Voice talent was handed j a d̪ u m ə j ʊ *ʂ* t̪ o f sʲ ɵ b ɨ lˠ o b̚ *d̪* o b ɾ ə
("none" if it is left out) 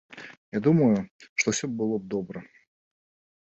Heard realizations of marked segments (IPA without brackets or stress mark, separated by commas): ʂ, d̪